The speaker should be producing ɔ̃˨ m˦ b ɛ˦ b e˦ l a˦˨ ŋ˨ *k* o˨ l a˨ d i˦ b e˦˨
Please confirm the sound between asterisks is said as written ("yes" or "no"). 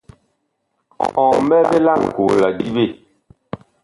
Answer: yes